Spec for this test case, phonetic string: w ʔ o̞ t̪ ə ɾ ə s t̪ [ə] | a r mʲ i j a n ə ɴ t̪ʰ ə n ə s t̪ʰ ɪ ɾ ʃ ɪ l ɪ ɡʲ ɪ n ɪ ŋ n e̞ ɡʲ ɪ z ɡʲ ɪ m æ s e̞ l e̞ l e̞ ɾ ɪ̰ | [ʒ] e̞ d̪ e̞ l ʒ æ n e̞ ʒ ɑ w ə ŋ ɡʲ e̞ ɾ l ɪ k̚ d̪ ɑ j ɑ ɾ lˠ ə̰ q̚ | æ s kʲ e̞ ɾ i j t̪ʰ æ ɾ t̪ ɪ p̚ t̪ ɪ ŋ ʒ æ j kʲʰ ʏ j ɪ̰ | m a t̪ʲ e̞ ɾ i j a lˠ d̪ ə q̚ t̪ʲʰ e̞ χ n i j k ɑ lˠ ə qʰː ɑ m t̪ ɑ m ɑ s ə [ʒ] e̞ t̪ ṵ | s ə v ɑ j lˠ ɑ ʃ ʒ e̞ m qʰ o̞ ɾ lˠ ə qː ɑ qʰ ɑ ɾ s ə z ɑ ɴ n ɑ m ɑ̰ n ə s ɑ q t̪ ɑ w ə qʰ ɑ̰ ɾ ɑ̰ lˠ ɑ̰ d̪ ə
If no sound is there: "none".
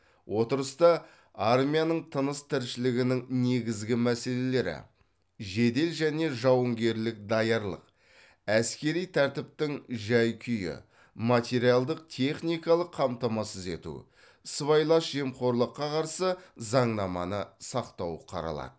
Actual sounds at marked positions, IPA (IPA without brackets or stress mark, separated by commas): ɑ, ʒ, z